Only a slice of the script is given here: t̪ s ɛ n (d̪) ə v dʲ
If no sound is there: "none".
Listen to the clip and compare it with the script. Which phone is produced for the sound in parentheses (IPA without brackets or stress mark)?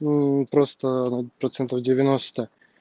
t̪